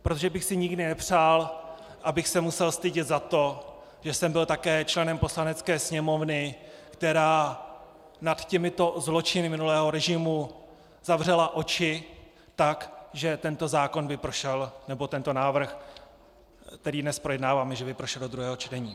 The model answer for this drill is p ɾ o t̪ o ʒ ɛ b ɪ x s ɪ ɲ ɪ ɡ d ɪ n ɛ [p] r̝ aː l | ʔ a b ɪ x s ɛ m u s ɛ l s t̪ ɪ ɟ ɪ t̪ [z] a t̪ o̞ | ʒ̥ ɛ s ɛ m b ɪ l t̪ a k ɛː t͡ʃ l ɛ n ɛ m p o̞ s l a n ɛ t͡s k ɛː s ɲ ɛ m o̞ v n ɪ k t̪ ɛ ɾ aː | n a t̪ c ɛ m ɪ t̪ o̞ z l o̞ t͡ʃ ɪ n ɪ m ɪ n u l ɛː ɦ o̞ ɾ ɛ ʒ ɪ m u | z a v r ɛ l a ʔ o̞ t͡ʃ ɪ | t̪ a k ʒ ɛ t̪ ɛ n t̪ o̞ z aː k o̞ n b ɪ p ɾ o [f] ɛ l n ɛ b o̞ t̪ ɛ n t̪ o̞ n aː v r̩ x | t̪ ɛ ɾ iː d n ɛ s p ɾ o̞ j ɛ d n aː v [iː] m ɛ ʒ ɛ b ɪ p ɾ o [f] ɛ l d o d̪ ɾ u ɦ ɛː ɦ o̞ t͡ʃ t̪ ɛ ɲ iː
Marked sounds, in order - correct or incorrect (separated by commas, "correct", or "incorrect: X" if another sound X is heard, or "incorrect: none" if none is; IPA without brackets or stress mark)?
correct, correct, incorrect: ʃ, incorrect: aː, incorrect: ʃ